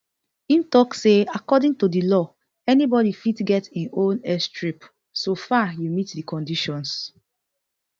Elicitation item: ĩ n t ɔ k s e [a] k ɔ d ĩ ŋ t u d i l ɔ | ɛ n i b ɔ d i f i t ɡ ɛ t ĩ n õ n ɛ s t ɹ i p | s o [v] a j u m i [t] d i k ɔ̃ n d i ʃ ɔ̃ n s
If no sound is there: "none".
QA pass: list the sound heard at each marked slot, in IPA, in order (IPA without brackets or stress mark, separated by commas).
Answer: a, f, t